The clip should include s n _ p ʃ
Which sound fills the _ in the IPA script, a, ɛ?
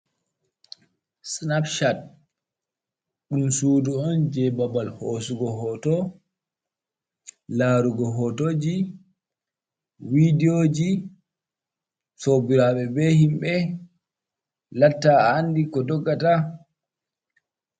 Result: a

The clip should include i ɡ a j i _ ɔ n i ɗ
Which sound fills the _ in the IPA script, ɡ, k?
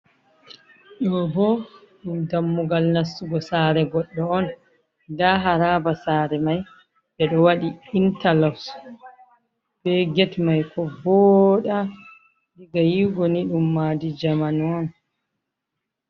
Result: ɡ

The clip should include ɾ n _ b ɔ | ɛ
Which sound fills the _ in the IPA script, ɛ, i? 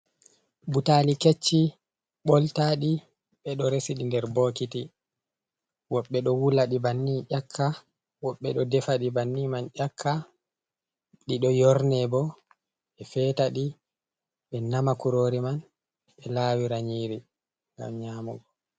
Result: ɛ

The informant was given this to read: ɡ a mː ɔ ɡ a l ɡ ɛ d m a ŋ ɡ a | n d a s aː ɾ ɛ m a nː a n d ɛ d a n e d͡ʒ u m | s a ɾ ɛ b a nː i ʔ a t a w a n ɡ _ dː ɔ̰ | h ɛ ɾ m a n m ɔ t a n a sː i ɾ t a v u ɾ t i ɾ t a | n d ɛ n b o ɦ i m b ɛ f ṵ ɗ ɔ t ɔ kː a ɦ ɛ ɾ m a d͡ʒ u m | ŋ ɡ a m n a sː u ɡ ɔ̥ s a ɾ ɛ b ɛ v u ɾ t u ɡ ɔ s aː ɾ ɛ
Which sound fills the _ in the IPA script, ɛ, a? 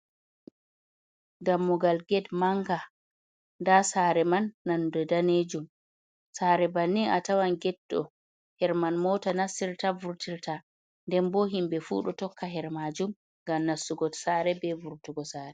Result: ɛ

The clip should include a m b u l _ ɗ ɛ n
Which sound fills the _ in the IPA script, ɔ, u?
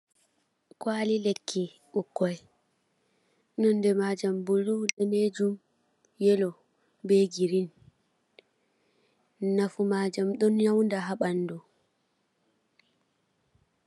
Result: u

